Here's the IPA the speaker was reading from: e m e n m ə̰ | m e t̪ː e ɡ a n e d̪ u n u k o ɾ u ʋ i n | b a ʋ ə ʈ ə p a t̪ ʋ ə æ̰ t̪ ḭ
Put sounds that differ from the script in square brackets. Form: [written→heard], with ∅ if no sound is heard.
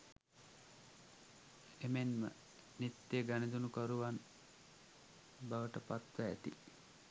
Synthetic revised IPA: e m e n m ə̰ | [m→n] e t̪ː e ɡ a n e d̪ u n u k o ɾ u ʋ [i→a] n | b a ʋ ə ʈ ə p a t̪ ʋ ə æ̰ t̪ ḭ